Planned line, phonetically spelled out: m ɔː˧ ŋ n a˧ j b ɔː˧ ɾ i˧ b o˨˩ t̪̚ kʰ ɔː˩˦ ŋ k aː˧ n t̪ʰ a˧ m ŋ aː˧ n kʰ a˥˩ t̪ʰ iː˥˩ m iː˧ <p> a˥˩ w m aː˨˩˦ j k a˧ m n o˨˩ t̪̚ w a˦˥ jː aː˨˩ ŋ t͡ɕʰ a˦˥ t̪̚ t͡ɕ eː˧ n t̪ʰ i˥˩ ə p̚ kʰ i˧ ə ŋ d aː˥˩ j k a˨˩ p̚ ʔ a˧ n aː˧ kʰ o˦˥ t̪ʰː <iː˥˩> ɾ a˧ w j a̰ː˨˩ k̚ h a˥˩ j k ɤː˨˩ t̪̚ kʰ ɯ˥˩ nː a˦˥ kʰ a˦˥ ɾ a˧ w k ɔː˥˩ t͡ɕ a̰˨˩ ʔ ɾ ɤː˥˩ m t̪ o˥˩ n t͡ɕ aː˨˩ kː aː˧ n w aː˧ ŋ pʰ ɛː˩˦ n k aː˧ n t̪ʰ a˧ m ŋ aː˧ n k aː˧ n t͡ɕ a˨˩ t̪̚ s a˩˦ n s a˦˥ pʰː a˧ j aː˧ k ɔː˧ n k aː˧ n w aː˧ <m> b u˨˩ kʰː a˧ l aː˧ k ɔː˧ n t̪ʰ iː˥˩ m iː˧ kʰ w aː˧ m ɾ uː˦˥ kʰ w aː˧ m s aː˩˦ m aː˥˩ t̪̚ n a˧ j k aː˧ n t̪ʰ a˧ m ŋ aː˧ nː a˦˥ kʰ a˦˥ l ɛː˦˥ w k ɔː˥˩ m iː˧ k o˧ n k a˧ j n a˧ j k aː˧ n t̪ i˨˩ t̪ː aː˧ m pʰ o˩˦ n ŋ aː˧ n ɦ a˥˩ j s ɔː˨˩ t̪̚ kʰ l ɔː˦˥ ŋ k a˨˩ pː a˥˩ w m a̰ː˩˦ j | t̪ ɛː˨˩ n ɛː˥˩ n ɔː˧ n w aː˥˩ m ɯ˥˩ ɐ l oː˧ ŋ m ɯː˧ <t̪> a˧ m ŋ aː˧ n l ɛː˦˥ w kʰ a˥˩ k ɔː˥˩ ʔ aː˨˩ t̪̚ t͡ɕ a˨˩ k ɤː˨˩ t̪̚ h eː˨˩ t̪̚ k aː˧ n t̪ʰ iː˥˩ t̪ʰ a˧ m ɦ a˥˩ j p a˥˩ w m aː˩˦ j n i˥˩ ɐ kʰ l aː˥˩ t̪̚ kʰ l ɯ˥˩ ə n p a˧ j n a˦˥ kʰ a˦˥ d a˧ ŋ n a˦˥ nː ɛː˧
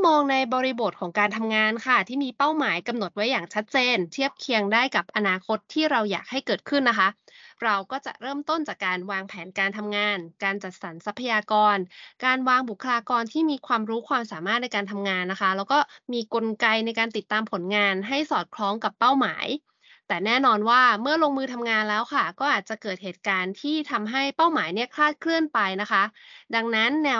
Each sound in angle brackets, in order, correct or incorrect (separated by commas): correct, correct, incorrect, incorrect